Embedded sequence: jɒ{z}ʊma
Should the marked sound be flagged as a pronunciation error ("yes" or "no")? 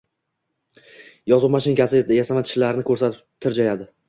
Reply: no